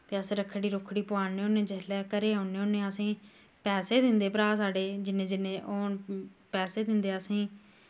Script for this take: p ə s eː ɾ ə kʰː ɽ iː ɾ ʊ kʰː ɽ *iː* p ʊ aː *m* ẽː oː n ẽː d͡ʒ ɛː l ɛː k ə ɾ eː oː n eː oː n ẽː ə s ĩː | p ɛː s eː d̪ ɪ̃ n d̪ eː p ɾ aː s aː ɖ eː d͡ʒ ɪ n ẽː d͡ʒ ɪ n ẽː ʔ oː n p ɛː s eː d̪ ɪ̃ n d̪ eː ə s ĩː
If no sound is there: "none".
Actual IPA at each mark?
iː, n

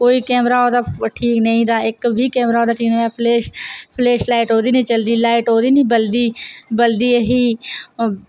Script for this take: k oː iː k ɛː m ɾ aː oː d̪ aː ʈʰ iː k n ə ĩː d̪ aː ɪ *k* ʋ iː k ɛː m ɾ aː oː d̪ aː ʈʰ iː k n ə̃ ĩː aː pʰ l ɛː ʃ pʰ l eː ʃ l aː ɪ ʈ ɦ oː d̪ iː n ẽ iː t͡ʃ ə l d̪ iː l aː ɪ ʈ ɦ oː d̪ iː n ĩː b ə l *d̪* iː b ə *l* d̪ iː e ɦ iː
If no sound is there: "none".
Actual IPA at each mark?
k, d̪, l

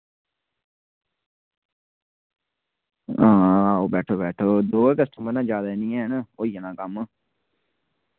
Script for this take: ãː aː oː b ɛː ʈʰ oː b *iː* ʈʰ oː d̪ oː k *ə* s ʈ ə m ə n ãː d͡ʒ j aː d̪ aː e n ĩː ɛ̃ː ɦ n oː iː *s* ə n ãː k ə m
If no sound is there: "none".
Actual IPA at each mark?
ɛː, ə, none

